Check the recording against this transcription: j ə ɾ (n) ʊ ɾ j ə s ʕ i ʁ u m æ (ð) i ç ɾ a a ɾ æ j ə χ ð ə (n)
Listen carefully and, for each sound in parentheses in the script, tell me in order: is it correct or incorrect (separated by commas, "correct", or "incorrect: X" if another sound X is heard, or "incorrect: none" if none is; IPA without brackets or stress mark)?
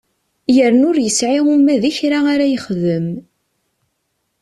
correct, correct, incorrect: m